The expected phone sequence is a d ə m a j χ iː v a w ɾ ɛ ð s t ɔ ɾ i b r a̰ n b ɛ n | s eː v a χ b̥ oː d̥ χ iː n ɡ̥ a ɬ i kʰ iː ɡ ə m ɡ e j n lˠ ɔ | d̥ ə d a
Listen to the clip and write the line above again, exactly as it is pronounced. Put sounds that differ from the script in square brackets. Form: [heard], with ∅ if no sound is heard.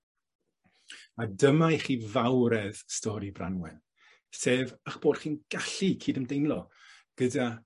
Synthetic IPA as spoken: a d ə m a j χ iː v a w ɾ ɛ ð s t ɔ ɾ i b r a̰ n [w] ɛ n | s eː v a χ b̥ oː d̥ χ iː n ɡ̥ a ɬ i kʰ iː [d] ə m [d] e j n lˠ ɔ | [ɡ̥] ə d a